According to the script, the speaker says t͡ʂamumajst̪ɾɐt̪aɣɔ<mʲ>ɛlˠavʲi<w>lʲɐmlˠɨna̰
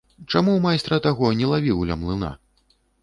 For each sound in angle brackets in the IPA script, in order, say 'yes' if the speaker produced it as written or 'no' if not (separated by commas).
no, yes